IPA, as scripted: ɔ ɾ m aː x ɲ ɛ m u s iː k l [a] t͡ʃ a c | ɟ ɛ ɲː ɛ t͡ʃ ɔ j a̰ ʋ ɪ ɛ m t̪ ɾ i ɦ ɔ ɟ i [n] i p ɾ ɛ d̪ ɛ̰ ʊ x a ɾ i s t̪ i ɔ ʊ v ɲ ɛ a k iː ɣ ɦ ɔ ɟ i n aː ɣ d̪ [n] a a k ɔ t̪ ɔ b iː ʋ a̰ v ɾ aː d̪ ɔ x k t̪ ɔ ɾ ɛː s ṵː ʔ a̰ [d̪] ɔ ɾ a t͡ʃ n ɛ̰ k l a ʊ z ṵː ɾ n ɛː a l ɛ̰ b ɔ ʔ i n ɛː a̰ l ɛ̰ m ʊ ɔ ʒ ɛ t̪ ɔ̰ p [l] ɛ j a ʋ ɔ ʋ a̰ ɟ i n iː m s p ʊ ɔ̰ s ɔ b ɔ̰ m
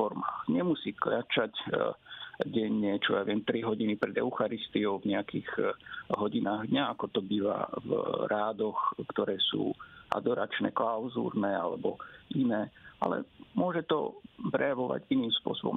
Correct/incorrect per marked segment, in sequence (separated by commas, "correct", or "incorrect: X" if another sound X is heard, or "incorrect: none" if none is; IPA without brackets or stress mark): correct, correct, incorrect: ɲ, correct, incorrect: ɾ